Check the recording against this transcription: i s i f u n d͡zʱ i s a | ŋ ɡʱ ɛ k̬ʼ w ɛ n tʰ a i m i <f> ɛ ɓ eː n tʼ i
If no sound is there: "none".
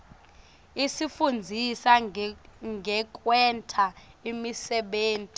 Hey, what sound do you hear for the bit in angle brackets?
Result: s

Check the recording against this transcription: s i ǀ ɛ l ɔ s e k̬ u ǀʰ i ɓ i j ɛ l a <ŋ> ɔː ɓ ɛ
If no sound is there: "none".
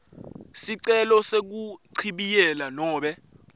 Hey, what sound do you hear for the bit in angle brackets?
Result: n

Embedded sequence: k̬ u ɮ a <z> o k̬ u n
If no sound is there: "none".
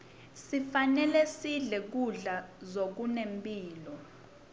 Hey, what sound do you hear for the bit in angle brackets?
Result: z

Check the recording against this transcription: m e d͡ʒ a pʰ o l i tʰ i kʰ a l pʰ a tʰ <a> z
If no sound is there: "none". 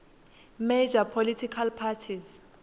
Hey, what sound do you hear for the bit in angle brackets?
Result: i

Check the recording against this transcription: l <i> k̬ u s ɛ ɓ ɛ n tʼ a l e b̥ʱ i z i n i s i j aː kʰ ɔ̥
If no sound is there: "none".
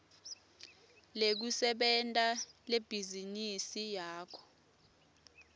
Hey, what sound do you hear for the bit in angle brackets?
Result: e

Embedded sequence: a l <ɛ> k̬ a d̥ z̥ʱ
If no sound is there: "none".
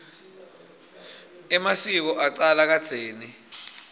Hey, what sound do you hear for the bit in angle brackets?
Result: a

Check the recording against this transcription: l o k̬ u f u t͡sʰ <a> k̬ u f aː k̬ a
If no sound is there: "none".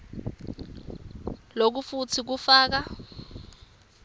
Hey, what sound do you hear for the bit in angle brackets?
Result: i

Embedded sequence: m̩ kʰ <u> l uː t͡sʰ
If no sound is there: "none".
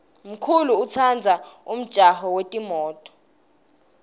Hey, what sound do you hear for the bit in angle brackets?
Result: u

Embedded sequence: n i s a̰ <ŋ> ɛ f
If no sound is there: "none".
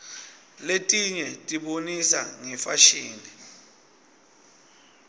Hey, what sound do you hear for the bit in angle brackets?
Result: ŋ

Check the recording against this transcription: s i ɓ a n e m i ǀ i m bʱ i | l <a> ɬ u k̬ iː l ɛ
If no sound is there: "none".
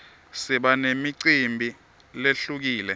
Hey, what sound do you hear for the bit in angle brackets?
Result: e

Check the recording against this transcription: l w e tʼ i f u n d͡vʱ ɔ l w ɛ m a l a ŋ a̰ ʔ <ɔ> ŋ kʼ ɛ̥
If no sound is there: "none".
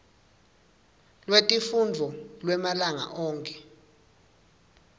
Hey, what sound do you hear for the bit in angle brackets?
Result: ɔː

